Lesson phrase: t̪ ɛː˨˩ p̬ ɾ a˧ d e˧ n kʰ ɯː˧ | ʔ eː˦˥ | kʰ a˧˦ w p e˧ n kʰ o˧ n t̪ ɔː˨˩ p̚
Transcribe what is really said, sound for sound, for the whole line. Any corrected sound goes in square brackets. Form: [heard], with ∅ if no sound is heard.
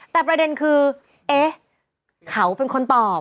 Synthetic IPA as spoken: t̪ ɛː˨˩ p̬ ɾ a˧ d e˧ n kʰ ɯː˧ | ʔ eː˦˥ | kʰ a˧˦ w p e˧ n kʰ o˧ n t̪ ɔː˨˩ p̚